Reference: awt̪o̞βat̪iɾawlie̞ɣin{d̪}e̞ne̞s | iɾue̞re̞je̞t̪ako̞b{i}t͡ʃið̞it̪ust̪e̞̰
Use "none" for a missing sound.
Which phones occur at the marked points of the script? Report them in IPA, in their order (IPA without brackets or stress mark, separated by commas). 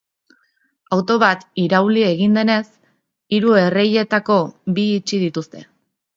d̪, iː